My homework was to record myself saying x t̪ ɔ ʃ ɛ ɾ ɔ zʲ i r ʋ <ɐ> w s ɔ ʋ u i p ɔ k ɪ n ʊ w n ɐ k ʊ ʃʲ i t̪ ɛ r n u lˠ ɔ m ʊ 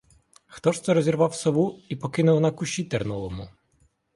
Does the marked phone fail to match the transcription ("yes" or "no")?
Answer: yes